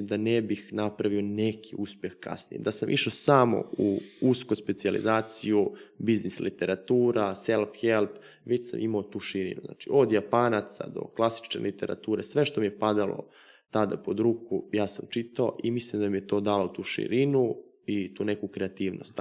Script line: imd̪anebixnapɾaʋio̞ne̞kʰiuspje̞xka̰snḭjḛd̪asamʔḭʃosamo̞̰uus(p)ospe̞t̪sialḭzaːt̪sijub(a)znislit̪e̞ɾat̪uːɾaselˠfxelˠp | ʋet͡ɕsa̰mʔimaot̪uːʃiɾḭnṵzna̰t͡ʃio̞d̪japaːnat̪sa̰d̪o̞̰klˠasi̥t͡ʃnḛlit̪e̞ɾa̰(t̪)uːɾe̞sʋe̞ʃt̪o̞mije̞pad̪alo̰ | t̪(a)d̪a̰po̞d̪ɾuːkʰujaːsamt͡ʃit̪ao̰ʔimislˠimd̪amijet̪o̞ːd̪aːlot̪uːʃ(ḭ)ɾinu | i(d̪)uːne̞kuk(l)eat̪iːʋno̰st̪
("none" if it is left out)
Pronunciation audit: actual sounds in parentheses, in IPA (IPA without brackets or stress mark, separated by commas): k, i, t̪, a, ḭ, t̪, ɾ